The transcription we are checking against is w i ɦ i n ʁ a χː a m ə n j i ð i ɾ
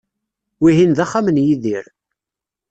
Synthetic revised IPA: w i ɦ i n ð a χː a m ə n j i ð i ɾ